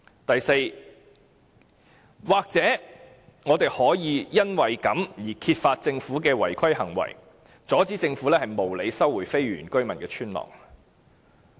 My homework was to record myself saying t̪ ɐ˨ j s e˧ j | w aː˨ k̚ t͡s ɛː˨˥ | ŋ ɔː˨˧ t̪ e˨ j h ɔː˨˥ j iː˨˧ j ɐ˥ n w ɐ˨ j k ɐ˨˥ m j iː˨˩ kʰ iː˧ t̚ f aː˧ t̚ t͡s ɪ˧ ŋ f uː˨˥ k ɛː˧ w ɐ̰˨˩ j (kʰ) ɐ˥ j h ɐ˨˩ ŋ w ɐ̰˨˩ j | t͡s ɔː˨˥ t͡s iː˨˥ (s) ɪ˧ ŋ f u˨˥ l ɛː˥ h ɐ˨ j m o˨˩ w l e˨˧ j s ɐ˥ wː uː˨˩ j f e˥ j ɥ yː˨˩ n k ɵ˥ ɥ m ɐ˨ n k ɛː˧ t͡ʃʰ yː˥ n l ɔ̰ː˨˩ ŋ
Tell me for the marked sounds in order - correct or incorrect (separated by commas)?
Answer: correct, incorrect